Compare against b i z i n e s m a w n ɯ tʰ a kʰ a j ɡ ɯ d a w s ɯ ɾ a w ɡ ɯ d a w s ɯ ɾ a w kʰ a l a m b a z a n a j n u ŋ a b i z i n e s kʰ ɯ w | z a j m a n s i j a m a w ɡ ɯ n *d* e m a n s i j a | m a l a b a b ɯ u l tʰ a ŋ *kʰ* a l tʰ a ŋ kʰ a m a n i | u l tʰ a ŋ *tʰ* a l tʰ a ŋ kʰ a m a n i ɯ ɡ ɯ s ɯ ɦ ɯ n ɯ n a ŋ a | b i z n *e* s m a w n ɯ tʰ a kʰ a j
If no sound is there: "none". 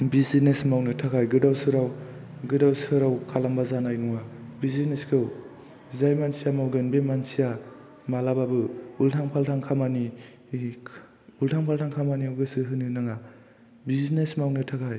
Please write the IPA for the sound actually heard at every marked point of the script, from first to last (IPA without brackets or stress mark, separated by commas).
b, pʰ, pʰ, e